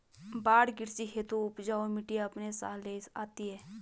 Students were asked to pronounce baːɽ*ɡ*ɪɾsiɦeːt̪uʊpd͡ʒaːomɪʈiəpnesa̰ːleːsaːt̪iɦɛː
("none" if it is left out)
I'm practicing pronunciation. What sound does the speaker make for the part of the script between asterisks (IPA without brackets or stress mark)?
ɡ